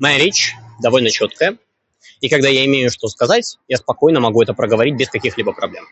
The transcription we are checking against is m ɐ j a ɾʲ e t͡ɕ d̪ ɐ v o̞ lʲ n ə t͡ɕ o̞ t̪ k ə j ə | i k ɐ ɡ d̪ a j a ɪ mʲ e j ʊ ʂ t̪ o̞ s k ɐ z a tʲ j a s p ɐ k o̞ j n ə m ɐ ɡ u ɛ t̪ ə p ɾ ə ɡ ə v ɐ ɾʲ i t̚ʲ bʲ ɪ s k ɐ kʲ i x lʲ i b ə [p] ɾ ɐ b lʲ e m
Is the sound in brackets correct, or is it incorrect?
correct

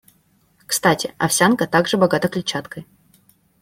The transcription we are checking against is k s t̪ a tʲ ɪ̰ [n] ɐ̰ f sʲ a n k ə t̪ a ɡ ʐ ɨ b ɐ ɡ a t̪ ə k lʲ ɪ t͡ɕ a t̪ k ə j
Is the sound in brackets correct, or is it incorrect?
incorrect: none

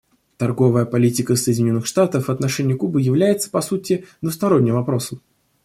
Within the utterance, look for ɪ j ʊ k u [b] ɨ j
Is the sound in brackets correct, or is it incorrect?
correct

